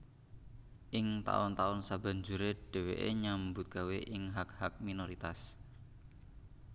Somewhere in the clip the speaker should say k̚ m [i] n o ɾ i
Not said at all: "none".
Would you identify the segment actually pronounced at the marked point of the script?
i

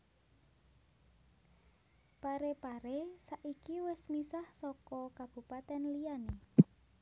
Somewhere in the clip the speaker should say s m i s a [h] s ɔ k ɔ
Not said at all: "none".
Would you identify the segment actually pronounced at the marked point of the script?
h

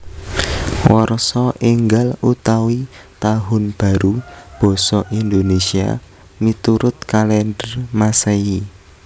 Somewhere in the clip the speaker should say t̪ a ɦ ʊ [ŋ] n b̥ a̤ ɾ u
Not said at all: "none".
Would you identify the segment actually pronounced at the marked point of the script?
none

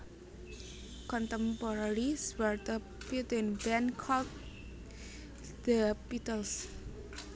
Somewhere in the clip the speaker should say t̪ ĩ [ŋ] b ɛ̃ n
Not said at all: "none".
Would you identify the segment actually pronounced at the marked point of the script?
n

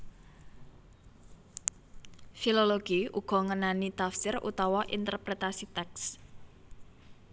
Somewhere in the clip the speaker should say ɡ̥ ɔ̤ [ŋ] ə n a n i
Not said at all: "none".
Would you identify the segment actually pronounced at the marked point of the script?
ŋ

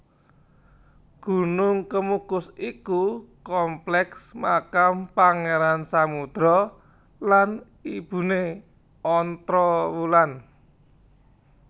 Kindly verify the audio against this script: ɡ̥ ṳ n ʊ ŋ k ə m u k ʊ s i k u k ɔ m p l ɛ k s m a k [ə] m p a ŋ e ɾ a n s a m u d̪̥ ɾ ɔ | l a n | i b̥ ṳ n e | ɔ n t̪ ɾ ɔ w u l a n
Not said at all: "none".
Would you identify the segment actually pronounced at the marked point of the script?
a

